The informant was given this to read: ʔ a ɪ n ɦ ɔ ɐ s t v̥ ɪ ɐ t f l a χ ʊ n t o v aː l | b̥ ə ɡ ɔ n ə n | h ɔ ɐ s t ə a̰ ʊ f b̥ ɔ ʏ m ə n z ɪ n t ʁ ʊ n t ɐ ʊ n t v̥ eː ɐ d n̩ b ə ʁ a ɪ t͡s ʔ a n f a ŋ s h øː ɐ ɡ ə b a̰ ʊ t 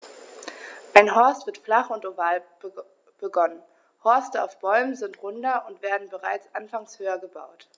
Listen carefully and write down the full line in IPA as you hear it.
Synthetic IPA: ʔ a ɪ n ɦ ɔ ɐ s t v̥ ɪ ɐ t f l a χ ʊ n t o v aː l | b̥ ə ɡ ɔ n ə n | h ɔ ɐ s t ə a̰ ʊ f b̥ ɔ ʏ m ə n z ɪ n t ʁ ʊ n d ɐ ʊ n t v̥ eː ɐ d n̩ b ə ʁ a ɪ t͡s ʔ a n f a ŋ s h øː ɐ ɡ ə b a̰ ʊ t

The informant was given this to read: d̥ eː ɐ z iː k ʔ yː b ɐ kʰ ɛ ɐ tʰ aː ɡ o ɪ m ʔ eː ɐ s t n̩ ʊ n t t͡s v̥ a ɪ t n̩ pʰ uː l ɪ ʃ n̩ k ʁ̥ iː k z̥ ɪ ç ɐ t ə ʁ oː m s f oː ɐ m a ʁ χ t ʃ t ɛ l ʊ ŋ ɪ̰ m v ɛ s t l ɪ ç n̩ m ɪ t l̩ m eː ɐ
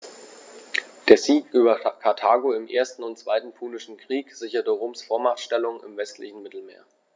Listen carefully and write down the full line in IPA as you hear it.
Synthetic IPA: d̥ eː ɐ z iː k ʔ yː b ɐ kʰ a ɐ tʰ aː ɡ o ɪ m ʔ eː ɐ s t n̩ ʊ n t t͡s v̥ a ɪ t n̩ pʰ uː l ɪ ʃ n̩ k ʁ̥ iː k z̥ ɪ ç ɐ t ə ʁ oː m s f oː ɐ m a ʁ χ t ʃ t ɛ l ʊ ŋ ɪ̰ m v ɛ s t l ɪ ç n̩ m ɪ t l̩ m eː ɐ

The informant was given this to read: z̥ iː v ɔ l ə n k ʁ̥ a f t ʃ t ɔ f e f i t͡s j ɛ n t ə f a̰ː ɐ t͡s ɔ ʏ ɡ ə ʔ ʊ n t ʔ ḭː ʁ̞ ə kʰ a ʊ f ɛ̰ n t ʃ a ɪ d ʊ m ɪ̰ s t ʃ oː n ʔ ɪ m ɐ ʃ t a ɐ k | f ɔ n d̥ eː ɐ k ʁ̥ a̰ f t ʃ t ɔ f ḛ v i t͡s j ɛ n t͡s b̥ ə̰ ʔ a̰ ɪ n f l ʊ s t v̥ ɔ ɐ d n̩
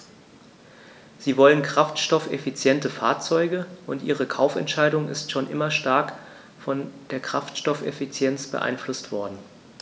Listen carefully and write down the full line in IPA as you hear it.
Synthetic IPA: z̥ iː v ɔ l ə n k ʁ̥ a f t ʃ t ɔ f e f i t͡s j ɛ n t ə f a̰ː ɐ t͡s ɔ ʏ ɡ ə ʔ ʊ n t ʔ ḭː ʁ̞ ə kʰ a ʊ f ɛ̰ n t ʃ a ɪ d ʊ ŋ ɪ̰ s t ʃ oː n ʔ ɪ m ɐ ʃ t a ɐ k | f ɔ n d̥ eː ɐ k ʁ̥ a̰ f t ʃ t ɔ f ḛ f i t͡s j ɛ n t͡s b̥ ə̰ ʔ a̰ ɪ n f l ʊ s t v̥ ɔ ɐ d n̩

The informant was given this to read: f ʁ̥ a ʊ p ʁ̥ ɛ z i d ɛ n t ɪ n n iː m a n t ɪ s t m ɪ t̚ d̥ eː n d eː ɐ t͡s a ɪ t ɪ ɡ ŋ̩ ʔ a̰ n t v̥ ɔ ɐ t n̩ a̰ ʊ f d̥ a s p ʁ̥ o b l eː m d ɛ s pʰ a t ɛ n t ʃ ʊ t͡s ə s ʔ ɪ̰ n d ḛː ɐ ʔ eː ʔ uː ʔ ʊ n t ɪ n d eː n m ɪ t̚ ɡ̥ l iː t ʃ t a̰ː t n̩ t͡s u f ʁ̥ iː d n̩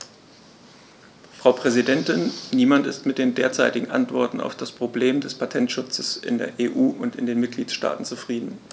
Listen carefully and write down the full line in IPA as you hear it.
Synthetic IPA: f ʁ̥ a ʊ p ʁ̥ ɛ z i d ɛ n t ɪ n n iː m a n t ɪ s t m ɪ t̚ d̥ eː n d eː ɐ t͡s a ɪ t ɪ ɡ ŋ̩ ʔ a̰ n t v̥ ɔ ɐ t n̩ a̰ ʊ f d̥ a s p ʁ̥ o b l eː m d ɛ s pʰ a tʰ ɛ n t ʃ ʊ t͡s ə s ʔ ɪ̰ n d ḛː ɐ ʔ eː ʔ uː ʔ ʊ n t ɪ n d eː n m ɪ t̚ ɡ̥ l iː t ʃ t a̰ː t n̩ t͡s u f ʁ̥ iː d n̩

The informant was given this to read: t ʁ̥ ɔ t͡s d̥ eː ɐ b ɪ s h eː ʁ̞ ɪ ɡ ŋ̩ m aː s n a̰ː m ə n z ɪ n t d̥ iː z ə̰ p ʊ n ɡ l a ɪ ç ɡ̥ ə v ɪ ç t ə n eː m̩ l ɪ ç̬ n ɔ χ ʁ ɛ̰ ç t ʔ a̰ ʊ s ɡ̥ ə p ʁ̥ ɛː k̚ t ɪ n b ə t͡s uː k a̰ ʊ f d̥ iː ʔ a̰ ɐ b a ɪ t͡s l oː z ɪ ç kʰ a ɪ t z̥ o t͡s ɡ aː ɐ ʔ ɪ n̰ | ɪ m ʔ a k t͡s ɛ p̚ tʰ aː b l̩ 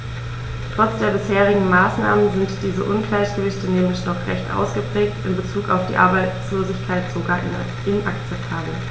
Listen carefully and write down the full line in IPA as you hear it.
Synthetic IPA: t ʁ̥ ɔ t͡s d̥ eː ɐ b ɪ s h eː ʁ̞ ɪ ɡ ŋ̩ m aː s n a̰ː m ə n z ɪ n t d̥ iː z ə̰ ʔ ʊ n ɡ l a ɪ ç ɡ̥ ə v ɪ ç t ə n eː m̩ l ɪ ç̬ n ɔ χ ʁ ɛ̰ ç t ʔ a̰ ʊ s ɡ̥ ə p ʁ̥ ɛː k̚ t ɪ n b ə t͡s uː k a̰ ʊ f d̥ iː ʔ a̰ ɐ b a ɪ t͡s l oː z ɪ ç kʰ a ɪ t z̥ o ɡ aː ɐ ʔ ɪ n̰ | ɪ n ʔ a k t͡s ɛ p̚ tʰ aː b l̩

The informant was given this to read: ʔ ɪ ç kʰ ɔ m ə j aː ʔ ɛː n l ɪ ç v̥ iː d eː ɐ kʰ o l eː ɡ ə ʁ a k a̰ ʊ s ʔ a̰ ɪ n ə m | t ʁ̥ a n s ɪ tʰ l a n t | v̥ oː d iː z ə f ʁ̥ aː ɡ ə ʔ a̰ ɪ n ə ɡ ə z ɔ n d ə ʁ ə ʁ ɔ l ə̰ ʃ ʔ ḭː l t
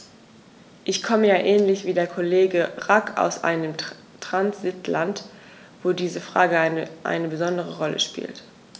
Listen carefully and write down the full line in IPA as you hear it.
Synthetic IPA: ʔ ɪ ç kʰ ɔ m ə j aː ʔ ɛː n l ɪ ç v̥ iː d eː ɐ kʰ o l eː ɡ ə ʁ a k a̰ ʊ s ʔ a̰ ɪ n ə m | t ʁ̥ a n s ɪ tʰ l a n t | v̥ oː d iː z ə f ʁ̥ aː ɡ ə ʔ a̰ ɪ n ə b ə z ɔ n d ə ʁ ə ʁ ɔ l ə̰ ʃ p ḭː l t

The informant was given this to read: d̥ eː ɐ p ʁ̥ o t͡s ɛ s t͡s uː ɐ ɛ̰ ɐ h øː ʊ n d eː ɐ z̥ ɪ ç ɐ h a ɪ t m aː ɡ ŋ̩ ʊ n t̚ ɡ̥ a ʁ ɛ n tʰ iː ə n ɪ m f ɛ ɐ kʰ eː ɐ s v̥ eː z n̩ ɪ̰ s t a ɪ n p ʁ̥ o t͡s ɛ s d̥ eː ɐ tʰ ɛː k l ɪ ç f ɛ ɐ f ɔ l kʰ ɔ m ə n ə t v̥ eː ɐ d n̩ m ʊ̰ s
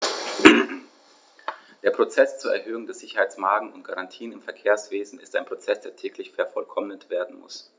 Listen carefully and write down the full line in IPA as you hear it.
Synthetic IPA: d̥ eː ɐ p ʁ̥ o t͡s ɛ s t͡s uː ɐ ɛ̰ ɐ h øː ʊ ŋ d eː ɐ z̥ ɪ ç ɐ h a ɪ t͡s m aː ɡ ŋ̩ ʊ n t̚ ɡ̥ a ʁ a n tʰ iː ə n ɪ m f ɛ ɐ kʰ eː ɐ s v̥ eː z n̩ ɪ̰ s t a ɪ n p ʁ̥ o t͡s ɛ s d̥ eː ɐ tʰ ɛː k l ɪ ç f ɛ ɐ f ɔ l kʰ ɔ m ə n ə t v̥ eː ɐ d n̩ m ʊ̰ s

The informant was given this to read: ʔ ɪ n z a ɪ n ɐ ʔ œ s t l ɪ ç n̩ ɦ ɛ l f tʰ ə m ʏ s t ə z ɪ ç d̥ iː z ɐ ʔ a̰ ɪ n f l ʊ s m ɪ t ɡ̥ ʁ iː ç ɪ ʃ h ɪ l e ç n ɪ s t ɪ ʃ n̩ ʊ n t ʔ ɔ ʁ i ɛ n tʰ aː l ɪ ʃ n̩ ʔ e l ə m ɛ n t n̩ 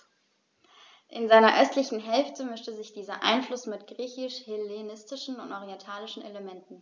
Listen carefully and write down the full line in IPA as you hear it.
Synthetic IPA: ʔ ɪ n z a ɪ n ɐ ʔ œ s t l ɪ ç n̩ ɦ ɛ l f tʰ ə m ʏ s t ə z ɪ ç d̥ iː z ɐ ʔ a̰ ɪ n f l ʊ s m ɪ t ɡ̥ ʁ iː ç ɪ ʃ h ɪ l e n ɪ s t ɪ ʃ n̩ ʊ n t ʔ ɔ ʁ i ɛ n tʰ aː l ɪ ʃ n̩ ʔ e l ə m ɛ n t n̩

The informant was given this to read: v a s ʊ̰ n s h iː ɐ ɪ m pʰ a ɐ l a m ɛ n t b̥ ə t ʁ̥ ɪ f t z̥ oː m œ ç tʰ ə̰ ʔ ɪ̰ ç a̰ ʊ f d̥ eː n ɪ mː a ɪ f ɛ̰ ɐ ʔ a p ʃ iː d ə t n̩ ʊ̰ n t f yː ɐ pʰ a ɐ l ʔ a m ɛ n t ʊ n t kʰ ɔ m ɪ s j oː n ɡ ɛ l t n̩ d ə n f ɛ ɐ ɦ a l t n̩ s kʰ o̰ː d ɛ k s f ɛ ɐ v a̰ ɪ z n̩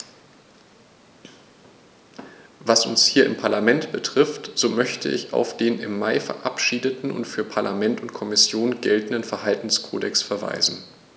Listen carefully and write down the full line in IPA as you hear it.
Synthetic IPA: v a s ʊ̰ n s h iː ɐ ɪ m pʰ a ɐ l a m ɛ n t b̥ ə t ʁ̥ ɪ f t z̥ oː m œ ç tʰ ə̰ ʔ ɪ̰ ç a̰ ʊ f d̥ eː n ɪ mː a ɪ f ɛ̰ ɐ ʔ a p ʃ iː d ə t n̩ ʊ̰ n t f yː ɐ pʰ a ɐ l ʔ a m ɛ n t ʊ n t kʰ ɔ m ɪ s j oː n ɡ ɛ l t n̩ d ə n f ɛ ɐ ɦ a l t n̩ s kʰ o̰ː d ɛ k s f ɛ ɐ v a̰ ɪ z n̩

